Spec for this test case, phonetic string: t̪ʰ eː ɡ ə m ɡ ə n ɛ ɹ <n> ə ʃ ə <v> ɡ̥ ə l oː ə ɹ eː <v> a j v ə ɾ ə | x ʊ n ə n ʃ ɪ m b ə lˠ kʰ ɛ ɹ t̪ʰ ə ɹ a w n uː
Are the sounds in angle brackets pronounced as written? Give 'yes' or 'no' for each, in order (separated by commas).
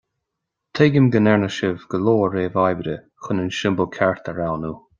yes, yes, yes